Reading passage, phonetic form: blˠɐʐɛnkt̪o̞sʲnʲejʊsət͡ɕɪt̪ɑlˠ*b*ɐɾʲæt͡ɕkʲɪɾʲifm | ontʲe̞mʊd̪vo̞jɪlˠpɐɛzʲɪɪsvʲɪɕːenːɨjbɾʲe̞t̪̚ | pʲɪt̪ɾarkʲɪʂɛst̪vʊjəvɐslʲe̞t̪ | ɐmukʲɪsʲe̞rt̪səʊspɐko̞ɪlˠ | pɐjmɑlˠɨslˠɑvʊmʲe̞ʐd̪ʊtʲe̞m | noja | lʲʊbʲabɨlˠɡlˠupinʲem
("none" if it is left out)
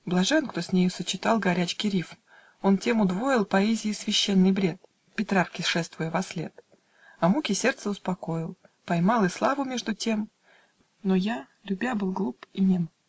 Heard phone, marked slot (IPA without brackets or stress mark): ɡ